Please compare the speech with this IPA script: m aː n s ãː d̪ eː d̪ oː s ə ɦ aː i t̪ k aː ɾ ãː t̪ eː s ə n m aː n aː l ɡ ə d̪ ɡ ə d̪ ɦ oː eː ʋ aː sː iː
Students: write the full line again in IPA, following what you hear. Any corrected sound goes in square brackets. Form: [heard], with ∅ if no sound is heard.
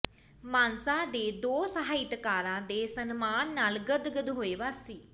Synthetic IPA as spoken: m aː n s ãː d̪ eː d̪ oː s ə ɦ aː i t̪ k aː ɾ ãː [d̪] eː s ə n m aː [nː] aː l ɡ ə d̪ ɡ ə d̪ ɦ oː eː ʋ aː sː iː